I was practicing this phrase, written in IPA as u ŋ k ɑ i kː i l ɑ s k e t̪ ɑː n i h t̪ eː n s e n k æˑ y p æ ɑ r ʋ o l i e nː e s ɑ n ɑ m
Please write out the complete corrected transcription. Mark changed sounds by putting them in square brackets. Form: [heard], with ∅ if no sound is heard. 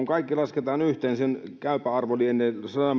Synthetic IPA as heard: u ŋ k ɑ i kː i l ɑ s k e t̪ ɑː n [y] h t̪ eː n s e n k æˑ y p æ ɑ r ʋ o l i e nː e s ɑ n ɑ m